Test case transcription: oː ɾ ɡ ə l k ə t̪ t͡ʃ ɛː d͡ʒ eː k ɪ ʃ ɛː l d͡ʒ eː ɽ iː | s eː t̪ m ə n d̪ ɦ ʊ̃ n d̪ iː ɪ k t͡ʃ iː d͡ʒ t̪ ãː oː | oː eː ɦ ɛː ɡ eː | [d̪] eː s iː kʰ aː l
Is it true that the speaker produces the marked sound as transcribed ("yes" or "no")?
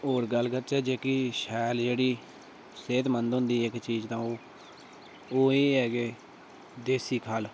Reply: yes